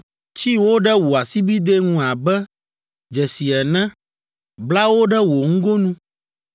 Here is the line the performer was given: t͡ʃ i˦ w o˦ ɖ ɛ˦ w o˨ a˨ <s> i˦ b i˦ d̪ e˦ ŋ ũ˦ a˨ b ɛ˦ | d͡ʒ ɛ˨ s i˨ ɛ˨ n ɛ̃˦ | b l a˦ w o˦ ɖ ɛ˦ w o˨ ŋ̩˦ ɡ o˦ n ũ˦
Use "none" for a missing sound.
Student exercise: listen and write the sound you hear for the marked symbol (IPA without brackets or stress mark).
s